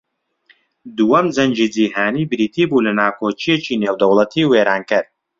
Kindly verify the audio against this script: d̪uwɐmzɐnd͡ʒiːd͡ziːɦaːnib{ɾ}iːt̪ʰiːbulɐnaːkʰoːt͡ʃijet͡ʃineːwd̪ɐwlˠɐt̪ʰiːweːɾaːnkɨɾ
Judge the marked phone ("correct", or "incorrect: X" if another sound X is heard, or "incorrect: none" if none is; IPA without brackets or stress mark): correct